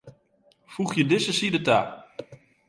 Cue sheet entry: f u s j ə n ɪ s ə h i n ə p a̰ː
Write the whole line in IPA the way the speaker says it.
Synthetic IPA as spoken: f u χ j ə d ɪ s ə s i d ə t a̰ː